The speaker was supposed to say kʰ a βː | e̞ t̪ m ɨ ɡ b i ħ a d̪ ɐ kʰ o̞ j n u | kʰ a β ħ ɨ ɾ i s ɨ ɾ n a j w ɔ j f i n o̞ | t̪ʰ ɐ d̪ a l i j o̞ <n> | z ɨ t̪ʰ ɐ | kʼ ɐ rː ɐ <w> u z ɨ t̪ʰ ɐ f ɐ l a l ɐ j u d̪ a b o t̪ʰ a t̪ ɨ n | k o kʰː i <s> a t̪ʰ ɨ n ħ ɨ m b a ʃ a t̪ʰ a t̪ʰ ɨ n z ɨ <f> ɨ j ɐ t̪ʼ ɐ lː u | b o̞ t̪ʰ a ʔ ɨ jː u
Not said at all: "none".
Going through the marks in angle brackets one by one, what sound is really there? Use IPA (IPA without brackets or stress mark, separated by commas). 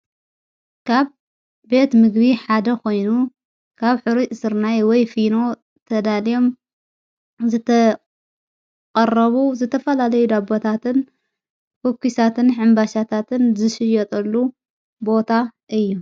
m, β, s, ʃ